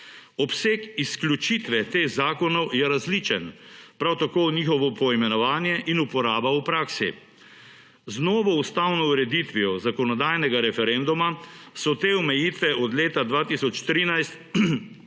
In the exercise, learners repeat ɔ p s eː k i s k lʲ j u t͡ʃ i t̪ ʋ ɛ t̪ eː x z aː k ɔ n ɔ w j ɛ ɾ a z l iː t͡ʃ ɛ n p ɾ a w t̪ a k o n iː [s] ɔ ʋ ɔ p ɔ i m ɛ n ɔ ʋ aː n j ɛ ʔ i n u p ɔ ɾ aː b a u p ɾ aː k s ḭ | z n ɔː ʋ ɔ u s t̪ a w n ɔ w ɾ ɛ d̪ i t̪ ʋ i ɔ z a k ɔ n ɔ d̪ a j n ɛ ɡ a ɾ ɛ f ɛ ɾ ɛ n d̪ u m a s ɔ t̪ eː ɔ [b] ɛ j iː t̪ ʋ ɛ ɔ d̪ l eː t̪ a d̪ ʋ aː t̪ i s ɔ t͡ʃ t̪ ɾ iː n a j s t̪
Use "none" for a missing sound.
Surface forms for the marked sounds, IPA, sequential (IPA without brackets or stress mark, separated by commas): x, m